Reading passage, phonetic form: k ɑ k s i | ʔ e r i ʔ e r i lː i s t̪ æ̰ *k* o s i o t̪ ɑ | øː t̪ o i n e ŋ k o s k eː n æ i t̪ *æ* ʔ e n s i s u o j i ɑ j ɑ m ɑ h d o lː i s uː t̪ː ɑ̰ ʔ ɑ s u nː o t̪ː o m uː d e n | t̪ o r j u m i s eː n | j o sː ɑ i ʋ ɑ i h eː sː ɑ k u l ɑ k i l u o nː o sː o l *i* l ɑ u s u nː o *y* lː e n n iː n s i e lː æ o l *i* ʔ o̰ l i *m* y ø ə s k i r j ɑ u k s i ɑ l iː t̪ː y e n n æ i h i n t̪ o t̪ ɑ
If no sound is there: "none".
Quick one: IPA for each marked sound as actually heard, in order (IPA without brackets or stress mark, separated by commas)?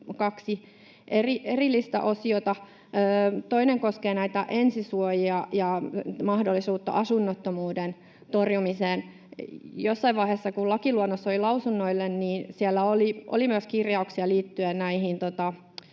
ʔ, æ, i, i, i, m